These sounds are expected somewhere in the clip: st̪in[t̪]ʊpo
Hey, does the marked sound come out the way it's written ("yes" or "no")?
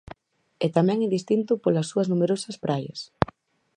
yes